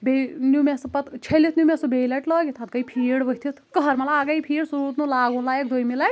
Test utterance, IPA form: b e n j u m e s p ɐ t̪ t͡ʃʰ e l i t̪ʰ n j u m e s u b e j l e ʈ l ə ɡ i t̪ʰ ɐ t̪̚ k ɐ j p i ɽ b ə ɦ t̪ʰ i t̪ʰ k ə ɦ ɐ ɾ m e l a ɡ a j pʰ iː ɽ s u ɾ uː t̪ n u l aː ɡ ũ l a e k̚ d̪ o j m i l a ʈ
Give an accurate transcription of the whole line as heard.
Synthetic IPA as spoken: b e n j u m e s p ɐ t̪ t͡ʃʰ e l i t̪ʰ n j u m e s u b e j l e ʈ l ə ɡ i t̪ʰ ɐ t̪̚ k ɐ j pʰ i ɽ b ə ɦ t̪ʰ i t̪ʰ k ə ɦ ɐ ɾ m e l a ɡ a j pʰ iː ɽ s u ɾ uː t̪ n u l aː ɡ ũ l a e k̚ d̪ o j m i l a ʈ